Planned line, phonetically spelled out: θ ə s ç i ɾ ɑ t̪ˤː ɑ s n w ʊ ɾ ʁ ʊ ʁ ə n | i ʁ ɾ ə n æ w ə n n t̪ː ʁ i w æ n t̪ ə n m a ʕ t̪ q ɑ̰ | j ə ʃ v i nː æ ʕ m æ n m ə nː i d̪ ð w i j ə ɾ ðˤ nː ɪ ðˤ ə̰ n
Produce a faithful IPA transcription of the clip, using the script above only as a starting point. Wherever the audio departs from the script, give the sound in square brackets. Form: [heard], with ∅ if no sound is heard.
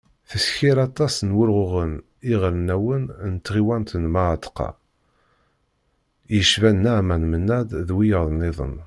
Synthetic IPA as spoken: θ ə s ç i ɾ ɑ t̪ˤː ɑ s n w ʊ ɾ ʁ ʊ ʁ ə n | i ʁ ɾ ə n æ w ə n n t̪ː ʁ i w æ n t̪ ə n m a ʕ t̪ q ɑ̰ | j ə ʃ v [æ] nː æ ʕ m æ n m ə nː [æ] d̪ ð w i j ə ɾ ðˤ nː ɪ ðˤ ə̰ n

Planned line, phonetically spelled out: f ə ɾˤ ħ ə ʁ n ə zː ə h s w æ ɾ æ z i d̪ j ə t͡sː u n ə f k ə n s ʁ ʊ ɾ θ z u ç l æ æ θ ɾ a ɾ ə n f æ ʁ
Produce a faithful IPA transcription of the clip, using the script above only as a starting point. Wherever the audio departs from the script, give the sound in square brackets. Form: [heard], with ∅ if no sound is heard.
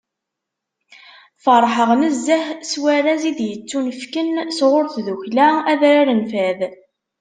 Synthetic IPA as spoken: f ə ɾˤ ħ ə ʁ n ə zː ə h s w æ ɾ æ z i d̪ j ə t͡sː u n ə f k ə n s ʁ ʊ ɾ θ [ð] u ç l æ æ [ð] ɾ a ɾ ə n f æ [ð]

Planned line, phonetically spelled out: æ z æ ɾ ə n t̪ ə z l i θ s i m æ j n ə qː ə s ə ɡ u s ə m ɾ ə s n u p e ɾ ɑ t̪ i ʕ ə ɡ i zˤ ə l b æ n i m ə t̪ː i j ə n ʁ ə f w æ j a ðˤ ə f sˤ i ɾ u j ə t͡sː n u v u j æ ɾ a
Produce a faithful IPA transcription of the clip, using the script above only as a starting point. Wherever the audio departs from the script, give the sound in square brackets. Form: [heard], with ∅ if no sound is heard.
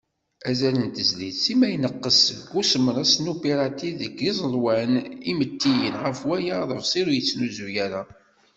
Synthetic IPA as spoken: æ z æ [l] ə n t̪ ə z l i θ s i m æ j n ə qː ə s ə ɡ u s ə m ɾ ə s n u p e ɾ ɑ t̪ i [ð] ə ɡ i zˤ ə l [w] æ n i m ə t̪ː i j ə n ʁ ə f w æ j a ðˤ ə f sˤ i ɾ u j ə t͡sː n u [z] u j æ ɾ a

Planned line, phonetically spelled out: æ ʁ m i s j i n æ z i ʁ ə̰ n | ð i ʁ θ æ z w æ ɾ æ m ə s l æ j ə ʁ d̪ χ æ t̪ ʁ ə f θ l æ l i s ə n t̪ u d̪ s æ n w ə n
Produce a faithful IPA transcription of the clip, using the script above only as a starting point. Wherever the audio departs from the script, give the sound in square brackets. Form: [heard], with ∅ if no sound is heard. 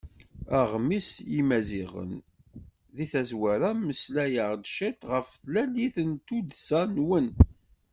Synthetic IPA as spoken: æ ʁ m i s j i [m] æ z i ʁ ə̰ n | ð i [∅] θ æ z w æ ɾ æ m ə s l æ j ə ʁ d̪ [ʃ] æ t̪ ʁ ə f θ l æ l i [θ] ə n t̪ u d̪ s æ n w ə n

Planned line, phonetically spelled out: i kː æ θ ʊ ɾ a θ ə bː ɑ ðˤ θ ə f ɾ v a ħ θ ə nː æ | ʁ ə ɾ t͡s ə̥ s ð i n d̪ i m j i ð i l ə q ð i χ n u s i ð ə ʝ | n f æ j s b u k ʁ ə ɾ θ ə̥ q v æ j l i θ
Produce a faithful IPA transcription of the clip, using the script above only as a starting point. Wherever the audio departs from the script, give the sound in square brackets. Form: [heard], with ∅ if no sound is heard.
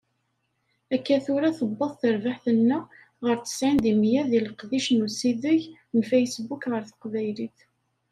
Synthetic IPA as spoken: [æ] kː æ θ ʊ ɾ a θ ə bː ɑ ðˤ θ ə [∅] ɾ v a ħ θ ə nː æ | ʁ ə ɾ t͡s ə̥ s [ʕ] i n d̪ i m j [æ] ð i l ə q ð i [ʃ] n u s i ð ə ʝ | n f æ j s b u k ʁ ə ɾ θ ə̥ q v æ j l i θ

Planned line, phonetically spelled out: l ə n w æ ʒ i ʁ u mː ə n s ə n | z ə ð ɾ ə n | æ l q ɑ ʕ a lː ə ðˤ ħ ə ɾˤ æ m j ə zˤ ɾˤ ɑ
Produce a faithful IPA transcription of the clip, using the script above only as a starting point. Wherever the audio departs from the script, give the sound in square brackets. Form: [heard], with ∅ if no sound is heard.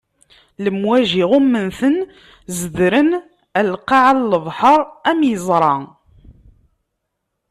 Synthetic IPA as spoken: l ə [m] w æ ʒ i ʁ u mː ə n [θ] ə n | z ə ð ɾ ə n | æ l q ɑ ʕ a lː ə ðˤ ħ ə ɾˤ æ m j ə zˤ ɾˤ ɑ

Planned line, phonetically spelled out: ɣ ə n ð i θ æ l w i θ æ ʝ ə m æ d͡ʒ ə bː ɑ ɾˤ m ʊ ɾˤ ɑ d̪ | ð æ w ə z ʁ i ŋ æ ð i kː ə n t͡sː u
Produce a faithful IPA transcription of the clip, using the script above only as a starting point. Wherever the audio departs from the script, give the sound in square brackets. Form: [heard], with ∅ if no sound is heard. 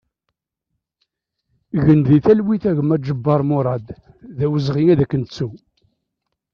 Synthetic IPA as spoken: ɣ ə n ð i θ æ l w i θ æ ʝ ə m æ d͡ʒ ə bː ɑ ɾˤ m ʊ ɾˤ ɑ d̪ | ð æ w ə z ʁ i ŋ æ ð [æ] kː ə n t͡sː u

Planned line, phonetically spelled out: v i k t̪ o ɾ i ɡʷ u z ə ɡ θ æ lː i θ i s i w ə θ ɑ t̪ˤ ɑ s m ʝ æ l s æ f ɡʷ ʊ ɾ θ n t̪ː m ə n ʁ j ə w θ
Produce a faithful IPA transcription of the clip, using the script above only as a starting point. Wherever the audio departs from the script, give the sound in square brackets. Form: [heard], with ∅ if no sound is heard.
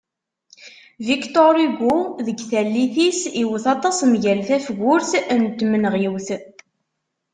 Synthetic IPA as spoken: v i k t̪ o ɾ i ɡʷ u [ð] ə ɡ θ æ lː i θ i s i w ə θ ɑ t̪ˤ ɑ s m ʝ æ l [θ] æ f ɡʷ ʊ ɾ θ n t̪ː m ə n ʁ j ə w θ

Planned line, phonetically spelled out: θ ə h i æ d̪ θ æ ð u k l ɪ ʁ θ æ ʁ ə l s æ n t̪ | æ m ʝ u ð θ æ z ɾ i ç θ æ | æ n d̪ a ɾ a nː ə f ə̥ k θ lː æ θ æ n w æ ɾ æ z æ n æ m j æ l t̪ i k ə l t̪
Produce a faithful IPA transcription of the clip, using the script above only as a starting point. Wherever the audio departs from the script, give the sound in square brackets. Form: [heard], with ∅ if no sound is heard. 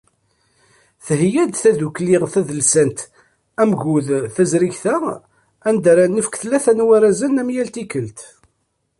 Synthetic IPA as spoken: θ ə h [j] æ d̪ θ æ ð u k l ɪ ʁ θ æ [ð] ə l s æ n t̪ | æ m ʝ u ð θ æ z ɾ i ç θ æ | æ n d̪ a ɾ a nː ə f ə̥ k θ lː æ θ æ n w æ ɾ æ z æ n æ m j æ l t̪ i k ə l t̪

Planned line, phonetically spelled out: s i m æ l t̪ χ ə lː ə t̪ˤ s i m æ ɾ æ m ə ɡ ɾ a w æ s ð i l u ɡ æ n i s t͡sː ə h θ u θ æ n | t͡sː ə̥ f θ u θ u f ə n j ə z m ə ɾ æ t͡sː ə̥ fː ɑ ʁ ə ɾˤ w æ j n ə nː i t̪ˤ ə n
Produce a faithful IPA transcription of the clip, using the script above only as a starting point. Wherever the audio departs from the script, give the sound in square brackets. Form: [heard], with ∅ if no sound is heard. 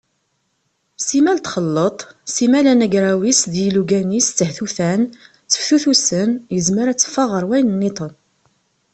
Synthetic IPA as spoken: s i m æ l t̪ χ ə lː ə t̪ˤ s i m æ [l] æ [n] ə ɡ ɾ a w [i] s ð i l u ɡ æ n i s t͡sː ə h θ u θ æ n | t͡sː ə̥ f θ u θ u [s] ə n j ə z m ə ɾ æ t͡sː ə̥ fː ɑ ʁ ə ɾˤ w æ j n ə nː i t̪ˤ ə n

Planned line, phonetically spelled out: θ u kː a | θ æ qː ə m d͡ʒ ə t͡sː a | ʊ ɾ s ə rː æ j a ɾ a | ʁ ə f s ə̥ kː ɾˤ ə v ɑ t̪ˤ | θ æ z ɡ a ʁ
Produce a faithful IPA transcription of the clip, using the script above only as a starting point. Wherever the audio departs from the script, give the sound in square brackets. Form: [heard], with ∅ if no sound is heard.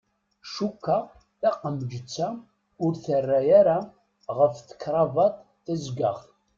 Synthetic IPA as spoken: [ʃ] u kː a | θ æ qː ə m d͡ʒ ə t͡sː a | ʊ ɾ [θ] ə rː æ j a ɾ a | ʁ ə f [θ] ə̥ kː ɾˤ [ɑ] v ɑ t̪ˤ | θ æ z ɡ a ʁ

